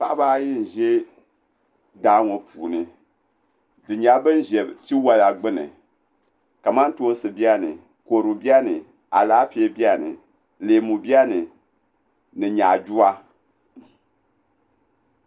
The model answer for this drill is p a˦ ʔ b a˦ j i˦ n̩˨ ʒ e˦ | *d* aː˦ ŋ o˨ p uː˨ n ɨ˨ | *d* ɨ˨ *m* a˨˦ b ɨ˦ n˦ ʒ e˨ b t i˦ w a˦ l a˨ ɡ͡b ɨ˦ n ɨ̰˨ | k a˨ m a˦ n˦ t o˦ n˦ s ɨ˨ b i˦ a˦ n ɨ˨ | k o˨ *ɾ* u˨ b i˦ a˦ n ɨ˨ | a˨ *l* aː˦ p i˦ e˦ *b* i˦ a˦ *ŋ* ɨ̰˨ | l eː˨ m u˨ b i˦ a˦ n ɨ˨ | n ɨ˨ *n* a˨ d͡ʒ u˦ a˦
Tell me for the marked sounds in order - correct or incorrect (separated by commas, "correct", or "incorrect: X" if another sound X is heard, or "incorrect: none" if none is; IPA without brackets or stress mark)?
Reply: correct, correct, incorrect: ɲ, correct, correct, correct, incorrect: n, incorrect: ɲ